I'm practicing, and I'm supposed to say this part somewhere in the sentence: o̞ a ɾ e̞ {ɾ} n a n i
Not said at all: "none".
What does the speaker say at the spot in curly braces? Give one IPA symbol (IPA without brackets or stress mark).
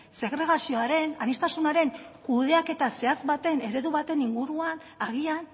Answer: none